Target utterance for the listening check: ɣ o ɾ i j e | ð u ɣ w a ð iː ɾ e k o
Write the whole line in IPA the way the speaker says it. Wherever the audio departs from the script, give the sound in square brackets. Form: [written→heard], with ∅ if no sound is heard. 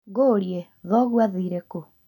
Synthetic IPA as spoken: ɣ o ɾ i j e | ð [u→ɔ] ɣ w a ð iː ɾ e k o